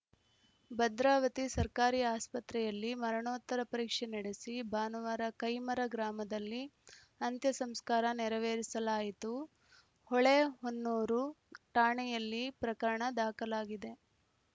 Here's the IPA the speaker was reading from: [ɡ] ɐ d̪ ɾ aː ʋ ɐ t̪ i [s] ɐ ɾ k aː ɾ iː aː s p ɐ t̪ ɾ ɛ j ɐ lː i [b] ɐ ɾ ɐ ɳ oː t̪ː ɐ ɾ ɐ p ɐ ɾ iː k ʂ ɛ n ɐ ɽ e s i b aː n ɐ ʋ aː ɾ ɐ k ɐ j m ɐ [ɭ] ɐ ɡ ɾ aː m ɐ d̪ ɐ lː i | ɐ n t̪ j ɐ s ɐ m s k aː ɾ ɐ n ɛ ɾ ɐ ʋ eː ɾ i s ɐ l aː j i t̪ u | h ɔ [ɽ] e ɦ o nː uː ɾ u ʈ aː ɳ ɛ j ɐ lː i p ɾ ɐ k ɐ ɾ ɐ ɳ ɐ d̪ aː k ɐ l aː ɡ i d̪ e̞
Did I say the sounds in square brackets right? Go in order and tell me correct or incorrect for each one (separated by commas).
incorrect, correct, incorrect, incorrect, incorrect